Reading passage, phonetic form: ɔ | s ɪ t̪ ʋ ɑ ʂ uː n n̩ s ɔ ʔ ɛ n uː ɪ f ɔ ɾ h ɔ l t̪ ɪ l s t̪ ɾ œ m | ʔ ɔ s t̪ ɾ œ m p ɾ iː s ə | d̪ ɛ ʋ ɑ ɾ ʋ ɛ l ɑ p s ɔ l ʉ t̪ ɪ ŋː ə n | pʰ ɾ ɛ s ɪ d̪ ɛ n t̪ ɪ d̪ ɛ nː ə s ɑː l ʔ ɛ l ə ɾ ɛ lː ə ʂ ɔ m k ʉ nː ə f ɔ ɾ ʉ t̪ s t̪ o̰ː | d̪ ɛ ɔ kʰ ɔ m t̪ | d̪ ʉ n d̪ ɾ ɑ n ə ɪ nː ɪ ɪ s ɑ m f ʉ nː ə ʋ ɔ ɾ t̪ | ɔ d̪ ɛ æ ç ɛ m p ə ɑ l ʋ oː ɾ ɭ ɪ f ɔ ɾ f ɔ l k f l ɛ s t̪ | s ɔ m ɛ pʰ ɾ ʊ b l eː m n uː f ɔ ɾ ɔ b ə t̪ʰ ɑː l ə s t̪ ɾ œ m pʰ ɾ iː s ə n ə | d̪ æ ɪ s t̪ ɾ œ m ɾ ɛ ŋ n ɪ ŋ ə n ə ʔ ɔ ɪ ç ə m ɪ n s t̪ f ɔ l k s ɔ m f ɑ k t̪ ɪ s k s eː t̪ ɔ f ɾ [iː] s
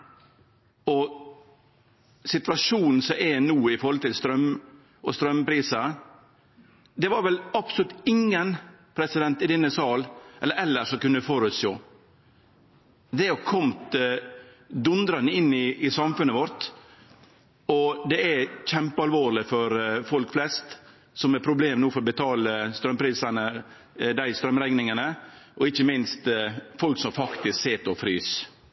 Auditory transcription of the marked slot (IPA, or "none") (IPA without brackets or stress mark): yː